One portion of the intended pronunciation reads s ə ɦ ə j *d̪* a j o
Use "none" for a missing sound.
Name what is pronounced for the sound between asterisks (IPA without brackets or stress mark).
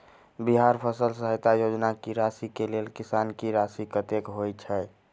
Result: t̪